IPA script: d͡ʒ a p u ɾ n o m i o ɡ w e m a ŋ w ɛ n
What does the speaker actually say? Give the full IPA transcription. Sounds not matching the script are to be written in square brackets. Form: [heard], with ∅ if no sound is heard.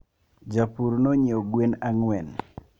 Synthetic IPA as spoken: d͡ʒ a p u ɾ n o [ɲ] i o ɡ w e [n] a ŋ w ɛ n